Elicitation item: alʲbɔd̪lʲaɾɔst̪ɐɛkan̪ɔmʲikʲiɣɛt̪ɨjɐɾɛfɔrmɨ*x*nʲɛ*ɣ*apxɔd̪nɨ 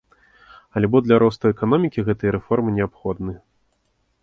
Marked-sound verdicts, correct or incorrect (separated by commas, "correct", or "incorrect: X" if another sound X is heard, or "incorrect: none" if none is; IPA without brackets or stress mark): incorrect: none, incorrect: none